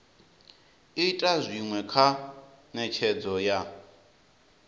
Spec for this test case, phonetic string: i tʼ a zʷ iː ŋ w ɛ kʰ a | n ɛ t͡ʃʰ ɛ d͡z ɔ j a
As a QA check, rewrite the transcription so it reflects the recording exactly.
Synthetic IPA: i tʼ a zʷ i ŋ w ɛ kʰ a | n ɛ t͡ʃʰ ɛ d͡z ɔ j a